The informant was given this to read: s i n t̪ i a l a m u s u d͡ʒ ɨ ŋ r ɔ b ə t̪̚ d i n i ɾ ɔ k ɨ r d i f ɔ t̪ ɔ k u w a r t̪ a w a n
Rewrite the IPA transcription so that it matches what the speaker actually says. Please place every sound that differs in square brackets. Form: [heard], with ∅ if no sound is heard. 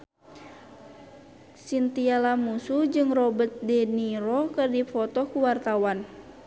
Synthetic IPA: s i n t̪ i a l a m u s u d͡ʒ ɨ ŋ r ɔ b ə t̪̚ d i n i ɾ ɔ k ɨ r d i f ɔ t̪ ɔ k u w a r t̪ a w a n